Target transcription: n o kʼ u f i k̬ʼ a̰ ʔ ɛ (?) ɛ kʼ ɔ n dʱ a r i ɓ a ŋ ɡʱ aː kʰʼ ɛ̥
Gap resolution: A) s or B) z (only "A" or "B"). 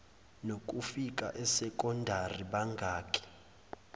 A